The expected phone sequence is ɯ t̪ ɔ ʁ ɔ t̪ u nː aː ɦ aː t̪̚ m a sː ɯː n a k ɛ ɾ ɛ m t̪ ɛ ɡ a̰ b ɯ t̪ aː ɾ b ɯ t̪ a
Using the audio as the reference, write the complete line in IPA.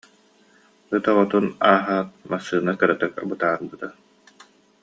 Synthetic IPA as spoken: ɯ t̪ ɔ ʁ ɔ t̪ u n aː ɦ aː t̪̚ m a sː ɯː n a k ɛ ɾ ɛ t̪ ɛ k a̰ b ɯ t̪ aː ɾ b ɯ t̪ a